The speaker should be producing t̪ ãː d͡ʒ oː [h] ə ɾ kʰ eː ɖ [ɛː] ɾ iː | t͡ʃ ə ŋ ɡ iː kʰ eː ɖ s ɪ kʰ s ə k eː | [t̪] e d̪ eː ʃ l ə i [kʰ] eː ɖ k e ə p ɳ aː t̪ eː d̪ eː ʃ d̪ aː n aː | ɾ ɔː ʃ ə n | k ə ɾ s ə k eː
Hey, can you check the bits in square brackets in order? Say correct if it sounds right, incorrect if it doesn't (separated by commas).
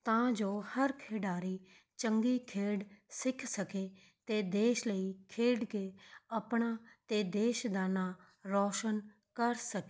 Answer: correct, incorrect, correct, correct